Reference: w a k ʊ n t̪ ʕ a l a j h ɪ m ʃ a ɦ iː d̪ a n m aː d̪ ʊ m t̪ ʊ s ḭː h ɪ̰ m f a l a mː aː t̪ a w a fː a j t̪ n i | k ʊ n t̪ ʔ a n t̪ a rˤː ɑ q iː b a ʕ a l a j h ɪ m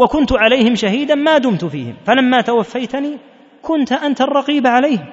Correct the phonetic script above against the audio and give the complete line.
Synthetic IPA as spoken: w a k ʊ n t̪ ʕ a l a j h ɪ m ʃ a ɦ iː d̪ a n m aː d̪ ʊ m t̪ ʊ f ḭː h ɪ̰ m f a l a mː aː t̪ a w a fː a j t̪ n iː | k ʊ n t̪ ʔ a n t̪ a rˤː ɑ q iː b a ʕ a l a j h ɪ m